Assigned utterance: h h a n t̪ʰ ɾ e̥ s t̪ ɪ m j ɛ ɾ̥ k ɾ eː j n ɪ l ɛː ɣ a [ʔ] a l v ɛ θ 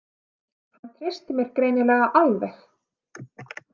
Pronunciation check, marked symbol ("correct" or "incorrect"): correct